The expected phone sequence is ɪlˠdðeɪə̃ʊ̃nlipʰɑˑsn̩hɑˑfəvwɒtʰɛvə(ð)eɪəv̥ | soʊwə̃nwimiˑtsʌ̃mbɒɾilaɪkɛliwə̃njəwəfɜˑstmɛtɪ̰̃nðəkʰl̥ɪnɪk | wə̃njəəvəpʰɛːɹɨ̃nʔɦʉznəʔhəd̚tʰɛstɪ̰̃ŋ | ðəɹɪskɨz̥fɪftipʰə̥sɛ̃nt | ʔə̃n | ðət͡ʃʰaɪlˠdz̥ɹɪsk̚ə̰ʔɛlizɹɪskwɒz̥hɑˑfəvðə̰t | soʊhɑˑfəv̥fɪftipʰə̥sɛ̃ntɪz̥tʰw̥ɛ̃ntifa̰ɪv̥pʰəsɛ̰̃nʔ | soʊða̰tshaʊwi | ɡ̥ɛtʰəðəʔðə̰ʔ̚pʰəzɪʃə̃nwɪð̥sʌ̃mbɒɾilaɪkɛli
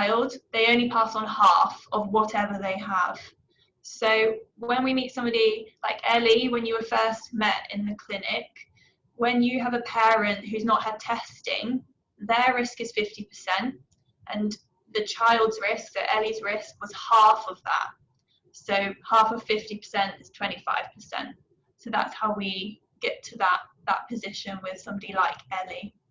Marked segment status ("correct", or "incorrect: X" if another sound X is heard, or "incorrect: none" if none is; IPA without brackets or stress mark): correct